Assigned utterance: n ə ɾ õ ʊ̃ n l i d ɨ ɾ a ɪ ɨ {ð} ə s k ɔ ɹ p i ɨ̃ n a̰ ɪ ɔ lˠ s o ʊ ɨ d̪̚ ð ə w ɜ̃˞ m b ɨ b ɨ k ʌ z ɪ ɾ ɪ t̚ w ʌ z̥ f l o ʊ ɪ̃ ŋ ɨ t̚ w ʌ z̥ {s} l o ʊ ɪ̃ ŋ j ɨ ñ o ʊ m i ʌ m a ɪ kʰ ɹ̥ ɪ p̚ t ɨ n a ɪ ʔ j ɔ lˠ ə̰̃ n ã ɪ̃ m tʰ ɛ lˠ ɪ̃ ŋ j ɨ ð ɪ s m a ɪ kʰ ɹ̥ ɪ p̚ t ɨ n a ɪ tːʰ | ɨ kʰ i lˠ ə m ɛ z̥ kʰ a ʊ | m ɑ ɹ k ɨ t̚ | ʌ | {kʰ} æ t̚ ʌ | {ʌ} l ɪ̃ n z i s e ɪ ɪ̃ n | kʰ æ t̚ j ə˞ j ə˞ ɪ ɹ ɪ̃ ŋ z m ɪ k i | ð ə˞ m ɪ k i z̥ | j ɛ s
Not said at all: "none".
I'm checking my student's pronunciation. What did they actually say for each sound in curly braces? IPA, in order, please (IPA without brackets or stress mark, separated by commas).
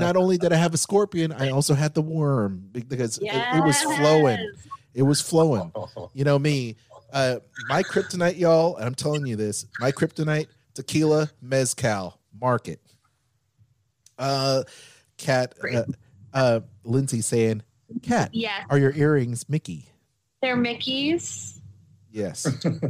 v, f, kʰ, ʌ